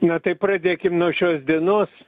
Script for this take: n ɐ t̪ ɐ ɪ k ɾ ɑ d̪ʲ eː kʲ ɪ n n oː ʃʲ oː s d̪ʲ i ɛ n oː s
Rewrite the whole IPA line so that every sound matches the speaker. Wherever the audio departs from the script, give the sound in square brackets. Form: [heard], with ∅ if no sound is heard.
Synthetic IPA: n ɐ t̪ ɐ ɪ [p] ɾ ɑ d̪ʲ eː kʲ ɪ [m] n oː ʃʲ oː s d̪ʲ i ɛ n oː s